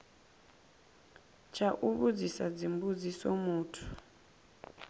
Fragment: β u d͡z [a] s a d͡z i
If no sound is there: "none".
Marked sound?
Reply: i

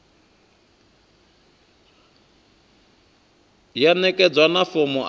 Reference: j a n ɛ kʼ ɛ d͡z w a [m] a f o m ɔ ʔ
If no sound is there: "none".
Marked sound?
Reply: n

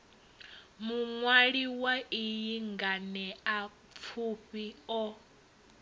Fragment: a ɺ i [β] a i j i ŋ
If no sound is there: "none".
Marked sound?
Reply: w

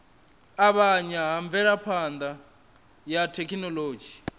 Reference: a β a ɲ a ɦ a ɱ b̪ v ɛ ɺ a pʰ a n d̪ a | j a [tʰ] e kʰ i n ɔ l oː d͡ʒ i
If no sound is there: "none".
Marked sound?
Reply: tʰ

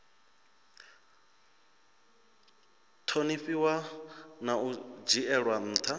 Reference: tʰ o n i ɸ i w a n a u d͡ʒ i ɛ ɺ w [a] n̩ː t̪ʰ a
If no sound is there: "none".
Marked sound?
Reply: a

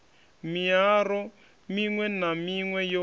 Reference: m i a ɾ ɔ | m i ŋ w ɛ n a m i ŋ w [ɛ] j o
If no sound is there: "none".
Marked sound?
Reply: ɛ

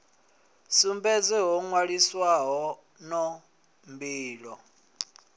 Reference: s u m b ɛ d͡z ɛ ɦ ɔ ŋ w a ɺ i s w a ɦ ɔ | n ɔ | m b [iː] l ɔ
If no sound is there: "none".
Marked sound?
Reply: iː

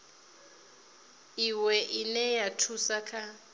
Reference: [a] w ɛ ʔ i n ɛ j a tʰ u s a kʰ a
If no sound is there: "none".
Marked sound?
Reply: i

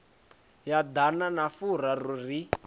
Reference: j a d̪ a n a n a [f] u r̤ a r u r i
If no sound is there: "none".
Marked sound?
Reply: f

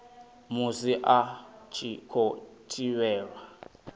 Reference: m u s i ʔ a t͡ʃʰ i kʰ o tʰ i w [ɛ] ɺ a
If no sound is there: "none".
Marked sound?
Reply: ɛː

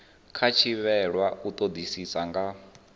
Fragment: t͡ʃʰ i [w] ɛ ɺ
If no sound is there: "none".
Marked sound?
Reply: β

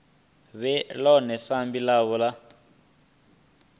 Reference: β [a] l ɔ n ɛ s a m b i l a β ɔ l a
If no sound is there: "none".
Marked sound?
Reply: ɛ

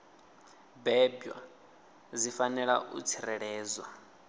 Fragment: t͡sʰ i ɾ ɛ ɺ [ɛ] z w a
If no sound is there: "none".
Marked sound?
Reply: ɛː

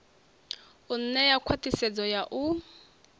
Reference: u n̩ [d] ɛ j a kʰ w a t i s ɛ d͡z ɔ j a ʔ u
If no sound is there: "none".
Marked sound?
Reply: n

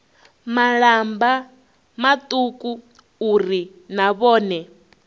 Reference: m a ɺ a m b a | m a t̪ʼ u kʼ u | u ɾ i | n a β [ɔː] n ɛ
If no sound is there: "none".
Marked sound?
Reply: ɔː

